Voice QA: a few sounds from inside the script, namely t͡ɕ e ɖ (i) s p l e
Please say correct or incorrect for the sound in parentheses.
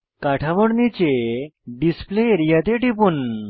correct